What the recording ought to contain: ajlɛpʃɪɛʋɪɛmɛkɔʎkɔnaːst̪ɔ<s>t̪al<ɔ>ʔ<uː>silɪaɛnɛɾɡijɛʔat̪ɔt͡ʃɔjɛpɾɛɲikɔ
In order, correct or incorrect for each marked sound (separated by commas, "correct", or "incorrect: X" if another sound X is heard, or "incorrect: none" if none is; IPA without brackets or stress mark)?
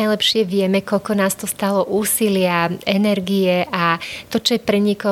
correct, correct, correct